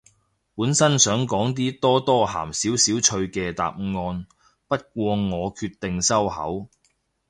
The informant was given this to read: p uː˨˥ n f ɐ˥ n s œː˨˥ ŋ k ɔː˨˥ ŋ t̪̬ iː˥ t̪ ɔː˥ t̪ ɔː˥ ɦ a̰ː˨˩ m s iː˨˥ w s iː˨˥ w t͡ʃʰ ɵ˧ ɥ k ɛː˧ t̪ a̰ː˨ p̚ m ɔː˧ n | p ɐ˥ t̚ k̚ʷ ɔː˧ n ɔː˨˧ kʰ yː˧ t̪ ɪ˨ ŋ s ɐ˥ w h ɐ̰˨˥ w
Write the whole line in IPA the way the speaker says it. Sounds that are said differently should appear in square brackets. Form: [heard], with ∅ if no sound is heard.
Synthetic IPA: p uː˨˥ n [s] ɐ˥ n s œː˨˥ ŋ k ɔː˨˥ ŋ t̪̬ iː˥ t̪ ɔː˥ t̪ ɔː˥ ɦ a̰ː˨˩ m s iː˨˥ w s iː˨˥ w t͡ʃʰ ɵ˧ ɥ k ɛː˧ t̪ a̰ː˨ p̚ [ŋ] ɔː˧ n | p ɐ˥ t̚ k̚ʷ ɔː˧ [ŋ] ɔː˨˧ kʰ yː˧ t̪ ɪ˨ ŋ s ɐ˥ w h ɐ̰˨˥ w

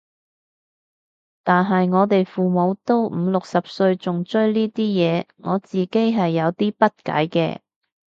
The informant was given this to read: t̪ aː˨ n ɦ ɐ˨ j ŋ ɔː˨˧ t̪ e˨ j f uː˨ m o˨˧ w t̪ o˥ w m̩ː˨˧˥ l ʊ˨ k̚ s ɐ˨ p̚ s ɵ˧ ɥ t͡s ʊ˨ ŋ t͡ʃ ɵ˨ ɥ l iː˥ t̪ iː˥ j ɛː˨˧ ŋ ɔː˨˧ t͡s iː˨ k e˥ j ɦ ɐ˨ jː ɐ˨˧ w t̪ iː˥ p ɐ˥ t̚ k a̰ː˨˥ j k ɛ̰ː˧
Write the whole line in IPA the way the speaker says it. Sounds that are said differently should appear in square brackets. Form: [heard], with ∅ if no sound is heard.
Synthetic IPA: t̪ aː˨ n ɦ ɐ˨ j ŋ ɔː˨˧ t̪ e˨ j f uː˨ m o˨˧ w t̪ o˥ w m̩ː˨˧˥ l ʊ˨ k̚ s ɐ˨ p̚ s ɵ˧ ɥ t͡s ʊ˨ ŋ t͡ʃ [ɵ˥] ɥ l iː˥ t̪ iː˥ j ɛː˨˧ ŋ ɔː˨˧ t͡s iː˨ k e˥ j ɦ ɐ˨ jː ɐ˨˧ w t̪ iː˥ p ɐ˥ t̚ k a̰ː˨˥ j k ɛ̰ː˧

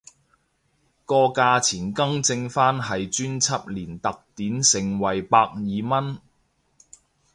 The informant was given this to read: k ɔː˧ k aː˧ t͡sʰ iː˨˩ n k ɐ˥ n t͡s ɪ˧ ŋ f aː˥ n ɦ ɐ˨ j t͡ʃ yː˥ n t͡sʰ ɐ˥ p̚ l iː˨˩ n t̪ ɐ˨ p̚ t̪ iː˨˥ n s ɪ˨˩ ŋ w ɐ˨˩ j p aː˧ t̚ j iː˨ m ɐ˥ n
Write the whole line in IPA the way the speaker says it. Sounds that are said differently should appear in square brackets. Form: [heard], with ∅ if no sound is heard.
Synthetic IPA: k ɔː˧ k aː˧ t͡sʰ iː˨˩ n k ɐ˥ [ŋ] t͡s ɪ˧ ŋ f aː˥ n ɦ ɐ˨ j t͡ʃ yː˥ n t͡sʰ ɐ˥ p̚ l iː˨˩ n t̪ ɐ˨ [k̚] t̪ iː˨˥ n s ɪ˨˩ ŋ w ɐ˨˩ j p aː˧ [k̚] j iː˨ m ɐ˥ n

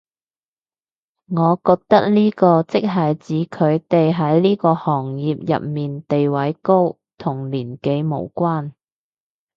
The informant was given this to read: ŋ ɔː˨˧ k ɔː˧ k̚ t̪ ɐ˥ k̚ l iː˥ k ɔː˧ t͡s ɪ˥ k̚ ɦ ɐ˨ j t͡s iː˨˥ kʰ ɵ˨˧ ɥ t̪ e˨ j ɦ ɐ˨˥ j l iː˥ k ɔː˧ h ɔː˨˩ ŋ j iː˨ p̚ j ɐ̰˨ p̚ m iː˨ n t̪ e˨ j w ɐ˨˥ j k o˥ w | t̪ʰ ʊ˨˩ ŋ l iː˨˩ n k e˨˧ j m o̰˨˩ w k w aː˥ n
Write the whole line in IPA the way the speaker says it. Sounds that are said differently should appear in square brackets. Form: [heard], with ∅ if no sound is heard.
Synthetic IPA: ŋ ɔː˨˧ k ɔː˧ k̚ t̪ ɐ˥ k̚ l iː˥ k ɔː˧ t͡s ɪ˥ k̚ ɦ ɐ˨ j t͡s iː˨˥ kʰ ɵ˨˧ ɥ t̪ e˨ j ɦ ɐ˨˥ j l iː˥ k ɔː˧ h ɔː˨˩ ŋ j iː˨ p̚ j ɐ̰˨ p̚ m iː˨ n t̪ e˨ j w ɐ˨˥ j k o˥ w | t̪ʰ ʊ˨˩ ŋ l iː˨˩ n k e˨˧ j m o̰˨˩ w k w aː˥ n

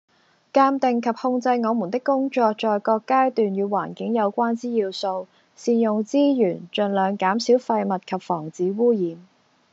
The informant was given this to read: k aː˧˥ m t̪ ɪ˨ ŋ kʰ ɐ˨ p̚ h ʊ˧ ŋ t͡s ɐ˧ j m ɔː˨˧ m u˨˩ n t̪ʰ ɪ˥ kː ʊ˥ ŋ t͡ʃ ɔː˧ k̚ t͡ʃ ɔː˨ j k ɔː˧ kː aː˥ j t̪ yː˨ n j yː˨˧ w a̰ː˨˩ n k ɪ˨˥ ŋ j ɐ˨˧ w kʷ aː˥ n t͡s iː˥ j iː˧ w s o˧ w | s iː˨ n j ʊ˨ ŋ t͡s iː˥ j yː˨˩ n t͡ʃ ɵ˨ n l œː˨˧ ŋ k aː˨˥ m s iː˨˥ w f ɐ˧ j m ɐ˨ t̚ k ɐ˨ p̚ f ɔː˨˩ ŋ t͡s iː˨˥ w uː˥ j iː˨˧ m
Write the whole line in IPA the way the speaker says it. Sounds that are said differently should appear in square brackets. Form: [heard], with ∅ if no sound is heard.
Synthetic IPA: k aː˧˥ m t̪ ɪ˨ ŋ kʰ ɐ˨ p̚ h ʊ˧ ŋ t͡s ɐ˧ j [ŋ] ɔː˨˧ m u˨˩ n [t̪] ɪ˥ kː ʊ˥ ŋ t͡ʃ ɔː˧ k̚ t͡ʃ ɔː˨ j k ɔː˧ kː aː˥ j t̪ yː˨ n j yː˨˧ w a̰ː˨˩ n k ɪ˨˥ ŋ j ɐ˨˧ w kʷ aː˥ n t͡s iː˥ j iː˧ w s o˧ w | s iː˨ n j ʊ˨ ŋ t͡s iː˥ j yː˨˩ n t͡ʃ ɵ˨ n l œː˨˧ ŋ k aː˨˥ m s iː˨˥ w f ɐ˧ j m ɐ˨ t̚ [kʰ] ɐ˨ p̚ f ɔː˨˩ ŋ t͡s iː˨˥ w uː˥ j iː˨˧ m

